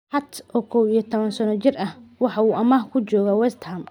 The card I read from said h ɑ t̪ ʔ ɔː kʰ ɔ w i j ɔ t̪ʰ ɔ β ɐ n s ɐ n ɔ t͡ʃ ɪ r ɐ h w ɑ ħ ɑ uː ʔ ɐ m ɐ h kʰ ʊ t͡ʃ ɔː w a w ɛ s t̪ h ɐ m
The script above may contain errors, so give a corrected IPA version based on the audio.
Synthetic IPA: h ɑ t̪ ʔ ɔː kʰ ɔ w i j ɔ t̪ʰ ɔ β ɐ n s ɐ n ɔ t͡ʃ ɪ r ɐ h w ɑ ħ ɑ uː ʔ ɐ m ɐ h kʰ ʊ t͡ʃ ɔː ɣ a w ɛ s t̪ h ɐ m